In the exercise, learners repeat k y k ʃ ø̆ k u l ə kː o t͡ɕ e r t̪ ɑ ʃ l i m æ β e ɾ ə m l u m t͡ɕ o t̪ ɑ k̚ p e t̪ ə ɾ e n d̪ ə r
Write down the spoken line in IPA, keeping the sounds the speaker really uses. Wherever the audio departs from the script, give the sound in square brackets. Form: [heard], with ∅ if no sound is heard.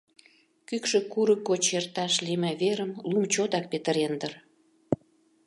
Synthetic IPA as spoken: k y k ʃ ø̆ k u [ɾ] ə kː o t͡ɕ e r t̪ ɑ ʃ l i m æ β e ɾ ə m l u m t͡ɕ o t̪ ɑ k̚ p e t̪ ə ɾ e n d̪ ə r